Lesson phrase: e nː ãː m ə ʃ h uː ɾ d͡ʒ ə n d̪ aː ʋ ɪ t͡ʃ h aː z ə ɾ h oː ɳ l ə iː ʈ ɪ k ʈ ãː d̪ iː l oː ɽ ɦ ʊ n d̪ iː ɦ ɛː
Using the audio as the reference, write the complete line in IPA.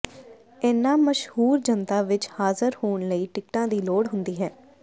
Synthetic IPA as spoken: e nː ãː m ə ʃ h uː ɾ d͡ʒ ə n t̪ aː ʋ ɪ t͡ʃ h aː z ə ɾ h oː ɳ l ə iː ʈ ɪ k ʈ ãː d̪ iː l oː ɽ ɦ ʊ n d̪ iː ɦ ɛː